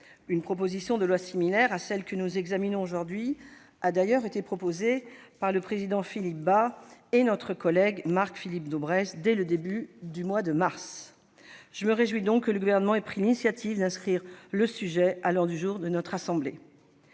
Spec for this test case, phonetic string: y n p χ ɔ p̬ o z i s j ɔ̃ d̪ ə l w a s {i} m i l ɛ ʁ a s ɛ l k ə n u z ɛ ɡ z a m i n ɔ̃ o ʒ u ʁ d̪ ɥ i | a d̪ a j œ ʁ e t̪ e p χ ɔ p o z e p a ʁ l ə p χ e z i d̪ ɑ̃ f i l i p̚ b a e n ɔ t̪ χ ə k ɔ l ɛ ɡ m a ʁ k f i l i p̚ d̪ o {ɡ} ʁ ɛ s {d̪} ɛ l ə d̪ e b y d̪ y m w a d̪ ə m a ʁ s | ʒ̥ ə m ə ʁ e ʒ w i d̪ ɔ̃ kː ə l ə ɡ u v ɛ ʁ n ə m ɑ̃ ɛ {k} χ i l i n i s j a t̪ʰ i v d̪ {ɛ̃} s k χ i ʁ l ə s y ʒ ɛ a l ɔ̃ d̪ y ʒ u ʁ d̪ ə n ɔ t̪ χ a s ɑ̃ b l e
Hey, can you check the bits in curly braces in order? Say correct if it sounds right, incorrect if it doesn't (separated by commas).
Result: correct, incorrect, correct, incorrect, correct